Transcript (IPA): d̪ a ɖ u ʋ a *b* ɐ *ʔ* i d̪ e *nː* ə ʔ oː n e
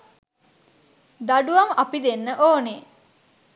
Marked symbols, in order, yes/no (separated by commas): no, no, yes